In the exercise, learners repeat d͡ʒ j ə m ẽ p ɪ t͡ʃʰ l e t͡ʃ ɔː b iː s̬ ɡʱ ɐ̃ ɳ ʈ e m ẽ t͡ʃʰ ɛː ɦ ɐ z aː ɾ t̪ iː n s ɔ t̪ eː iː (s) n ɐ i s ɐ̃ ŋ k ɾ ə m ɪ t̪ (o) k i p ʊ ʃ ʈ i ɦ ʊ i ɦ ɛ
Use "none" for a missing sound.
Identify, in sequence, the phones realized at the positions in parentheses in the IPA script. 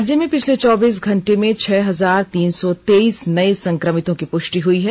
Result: s, õ

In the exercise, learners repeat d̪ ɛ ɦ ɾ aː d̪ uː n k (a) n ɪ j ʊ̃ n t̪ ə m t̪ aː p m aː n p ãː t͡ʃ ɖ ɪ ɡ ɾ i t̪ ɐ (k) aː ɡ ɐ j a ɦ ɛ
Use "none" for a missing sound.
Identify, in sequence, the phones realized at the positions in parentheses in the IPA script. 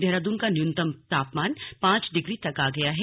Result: a, k

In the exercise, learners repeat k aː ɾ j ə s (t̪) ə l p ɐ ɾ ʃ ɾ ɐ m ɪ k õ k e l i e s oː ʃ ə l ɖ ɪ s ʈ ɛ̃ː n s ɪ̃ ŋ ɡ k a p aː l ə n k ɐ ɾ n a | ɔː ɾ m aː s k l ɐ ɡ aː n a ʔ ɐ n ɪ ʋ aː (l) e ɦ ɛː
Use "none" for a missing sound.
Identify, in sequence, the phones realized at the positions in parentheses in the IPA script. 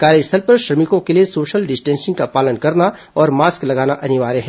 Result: t̪ʰ, ɾ

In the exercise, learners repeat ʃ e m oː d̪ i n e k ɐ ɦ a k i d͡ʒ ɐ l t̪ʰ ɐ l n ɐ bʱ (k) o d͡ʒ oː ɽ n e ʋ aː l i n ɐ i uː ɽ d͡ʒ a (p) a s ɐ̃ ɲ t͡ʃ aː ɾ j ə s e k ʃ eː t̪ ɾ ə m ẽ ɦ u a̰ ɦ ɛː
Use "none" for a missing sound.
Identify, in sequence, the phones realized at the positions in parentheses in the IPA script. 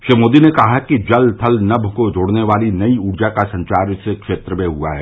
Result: k, k

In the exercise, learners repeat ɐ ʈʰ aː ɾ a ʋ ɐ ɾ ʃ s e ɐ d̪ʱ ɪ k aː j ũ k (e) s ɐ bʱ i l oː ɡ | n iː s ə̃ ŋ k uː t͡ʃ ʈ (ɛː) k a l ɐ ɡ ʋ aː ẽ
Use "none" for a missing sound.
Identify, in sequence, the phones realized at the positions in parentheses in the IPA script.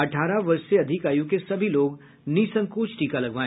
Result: e, iː

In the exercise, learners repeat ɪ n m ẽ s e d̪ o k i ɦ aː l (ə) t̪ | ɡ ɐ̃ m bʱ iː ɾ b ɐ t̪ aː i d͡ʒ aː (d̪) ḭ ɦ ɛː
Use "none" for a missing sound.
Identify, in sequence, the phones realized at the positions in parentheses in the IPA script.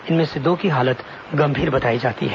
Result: ə, t̪

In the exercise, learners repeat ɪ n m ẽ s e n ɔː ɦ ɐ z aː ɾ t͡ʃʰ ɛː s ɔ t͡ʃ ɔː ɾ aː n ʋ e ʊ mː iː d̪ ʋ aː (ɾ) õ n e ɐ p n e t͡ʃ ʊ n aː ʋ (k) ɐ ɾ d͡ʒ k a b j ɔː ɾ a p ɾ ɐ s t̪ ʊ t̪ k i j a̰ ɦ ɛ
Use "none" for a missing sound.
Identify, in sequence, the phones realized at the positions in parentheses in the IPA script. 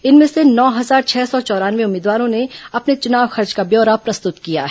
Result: ɾ, x

